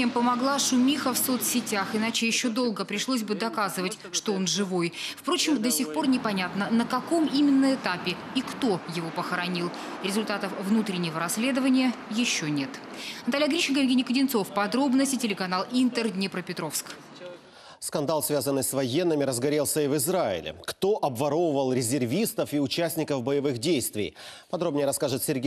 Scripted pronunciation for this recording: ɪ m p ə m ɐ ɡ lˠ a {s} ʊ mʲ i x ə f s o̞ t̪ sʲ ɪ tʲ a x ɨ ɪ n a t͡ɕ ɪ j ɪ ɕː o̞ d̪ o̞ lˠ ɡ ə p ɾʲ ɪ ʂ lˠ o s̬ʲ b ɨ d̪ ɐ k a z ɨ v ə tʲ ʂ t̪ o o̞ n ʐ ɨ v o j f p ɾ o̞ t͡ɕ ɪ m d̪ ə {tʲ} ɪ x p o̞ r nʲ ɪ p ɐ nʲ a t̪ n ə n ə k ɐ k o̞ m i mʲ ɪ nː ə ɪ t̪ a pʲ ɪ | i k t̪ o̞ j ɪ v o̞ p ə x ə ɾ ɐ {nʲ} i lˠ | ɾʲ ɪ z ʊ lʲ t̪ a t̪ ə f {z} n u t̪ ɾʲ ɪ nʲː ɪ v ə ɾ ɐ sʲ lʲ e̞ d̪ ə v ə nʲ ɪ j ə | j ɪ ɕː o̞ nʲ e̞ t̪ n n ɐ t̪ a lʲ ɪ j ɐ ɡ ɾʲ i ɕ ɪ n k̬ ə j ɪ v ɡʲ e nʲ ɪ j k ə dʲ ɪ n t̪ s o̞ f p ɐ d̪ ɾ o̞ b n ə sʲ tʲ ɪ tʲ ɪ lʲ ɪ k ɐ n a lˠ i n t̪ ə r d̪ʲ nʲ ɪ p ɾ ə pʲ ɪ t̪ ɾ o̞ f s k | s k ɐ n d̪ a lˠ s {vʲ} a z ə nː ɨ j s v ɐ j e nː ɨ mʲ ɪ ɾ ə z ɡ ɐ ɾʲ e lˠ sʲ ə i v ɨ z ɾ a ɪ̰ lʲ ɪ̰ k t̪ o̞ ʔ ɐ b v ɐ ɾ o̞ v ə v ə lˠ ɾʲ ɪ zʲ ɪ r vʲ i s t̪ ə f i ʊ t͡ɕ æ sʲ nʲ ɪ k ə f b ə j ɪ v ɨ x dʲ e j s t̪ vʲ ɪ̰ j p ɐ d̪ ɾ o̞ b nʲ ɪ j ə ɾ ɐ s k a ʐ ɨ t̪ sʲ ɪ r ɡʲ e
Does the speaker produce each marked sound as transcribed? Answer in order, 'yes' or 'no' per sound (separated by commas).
no, no, yes, no, yes